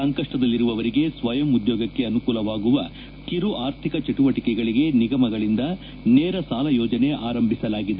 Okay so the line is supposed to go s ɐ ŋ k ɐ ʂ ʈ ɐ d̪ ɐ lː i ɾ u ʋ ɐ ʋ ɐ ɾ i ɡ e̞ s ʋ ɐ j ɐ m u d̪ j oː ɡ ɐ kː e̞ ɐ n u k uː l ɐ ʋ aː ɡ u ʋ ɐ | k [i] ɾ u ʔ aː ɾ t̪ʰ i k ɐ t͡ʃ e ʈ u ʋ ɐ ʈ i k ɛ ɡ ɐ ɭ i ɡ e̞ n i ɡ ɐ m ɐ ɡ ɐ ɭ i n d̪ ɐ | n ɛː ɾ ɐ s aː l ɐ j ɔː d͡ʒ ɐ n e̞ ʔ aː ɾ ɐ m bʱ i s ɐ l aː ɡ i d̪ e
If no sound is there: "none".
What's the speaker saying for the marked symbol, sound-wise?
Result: i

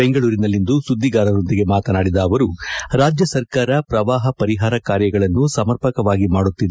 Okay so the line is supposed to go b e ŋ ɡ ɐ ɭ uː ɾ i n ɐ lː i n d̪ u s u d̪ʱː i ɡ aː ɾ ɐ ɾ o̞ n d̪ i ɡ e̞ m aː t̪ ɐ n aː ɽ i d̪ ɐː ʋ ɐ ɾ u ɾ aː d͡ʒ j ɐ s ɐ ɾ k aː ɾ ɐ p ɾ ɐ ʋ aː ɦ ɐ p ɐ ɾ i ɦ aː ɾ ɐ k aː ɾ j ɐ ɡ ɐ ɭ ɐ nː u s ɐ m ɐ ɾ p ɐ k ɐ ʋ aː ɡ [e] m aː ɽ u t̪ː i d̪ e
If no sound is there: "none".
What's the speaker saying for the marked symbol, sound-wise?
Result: i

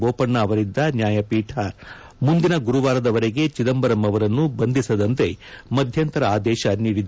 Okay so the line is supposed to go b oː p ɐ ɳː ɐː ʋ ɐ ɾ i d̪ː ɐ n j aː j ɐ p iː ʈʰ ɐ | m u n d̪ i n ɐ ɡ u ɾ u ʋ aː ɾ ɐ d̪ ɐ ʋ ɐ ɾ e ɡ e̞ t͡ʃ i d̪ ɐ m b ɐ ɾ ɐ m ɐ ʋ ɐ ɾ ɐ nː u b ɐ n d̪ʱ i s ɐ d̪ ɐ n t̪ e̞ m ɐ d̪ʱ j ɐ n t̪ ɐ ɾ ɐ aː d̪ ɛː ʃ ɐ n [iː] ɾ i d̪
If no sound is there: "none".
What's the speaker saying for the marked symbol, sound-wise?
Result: iː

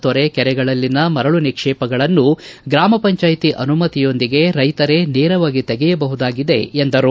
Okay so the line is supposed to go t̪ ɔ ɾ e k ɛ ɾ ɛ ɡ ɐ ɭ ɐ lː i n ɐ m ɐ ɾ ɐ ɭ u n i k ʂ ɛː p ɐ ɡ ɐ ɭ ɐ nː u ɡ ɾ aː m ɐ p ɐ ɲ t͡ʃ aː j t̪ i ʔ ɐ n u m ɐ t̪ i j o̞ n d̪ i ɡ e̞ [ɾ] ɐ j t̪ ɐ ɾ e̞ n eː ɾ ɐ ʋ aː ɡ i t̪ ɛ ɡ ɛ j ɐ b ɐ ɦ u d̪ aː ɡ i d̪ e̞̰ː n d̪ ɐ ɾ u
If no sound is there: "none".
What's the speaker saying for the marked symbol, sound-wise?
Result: ɾ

